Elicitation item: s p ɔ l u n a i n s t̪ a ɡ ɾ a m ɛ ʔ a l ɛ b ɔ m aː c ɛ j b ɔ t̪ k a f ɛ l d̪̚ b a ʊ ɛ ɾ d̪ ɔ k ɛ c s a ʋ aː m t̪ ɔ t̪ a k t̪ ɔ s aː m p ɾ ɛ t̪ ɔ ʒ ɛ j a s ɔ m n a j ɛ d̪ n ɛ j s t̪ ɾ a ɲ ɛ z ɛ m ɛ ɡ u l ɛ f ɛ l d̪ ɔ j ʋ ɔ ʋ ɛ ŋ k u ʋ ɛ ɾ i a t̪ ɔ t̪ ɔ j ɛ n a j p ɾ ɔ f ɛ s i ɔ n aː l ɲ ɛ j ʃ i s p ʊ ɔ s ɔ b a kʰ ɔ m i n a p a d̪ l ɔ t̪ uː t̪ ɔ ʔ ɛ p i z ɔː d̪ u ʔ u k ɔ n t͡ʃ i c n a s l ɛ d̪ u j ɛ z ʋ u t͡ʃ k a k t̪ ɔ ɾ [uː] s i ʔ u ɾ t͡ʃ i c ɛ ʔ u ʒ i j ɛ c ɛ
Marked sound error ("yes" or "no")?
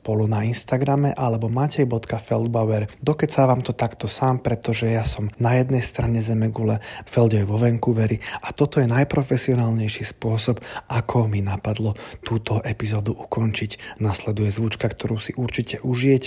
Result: no